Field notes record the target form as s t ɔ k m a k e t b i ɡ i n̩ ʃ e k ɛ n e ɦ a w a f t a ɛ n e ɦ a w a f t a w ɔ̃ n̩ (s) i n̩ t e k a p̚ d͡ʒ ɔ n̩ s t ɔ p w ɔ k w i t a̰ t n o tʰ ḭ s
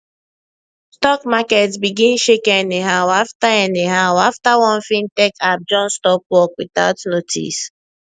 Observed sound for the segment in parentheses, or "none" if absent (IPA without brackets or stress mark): f